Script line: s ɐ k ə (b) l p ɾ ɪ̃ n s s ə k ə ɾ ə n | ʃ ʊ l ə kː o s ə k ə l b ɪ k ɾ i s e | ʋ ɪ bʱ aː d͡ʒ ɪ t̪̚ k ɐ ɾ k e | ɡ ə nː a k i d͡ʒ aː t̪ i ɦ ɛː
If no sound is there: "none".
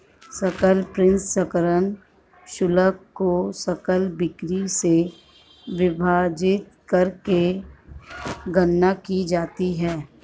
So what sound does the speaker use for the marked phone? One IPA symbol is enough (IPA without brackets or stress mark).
none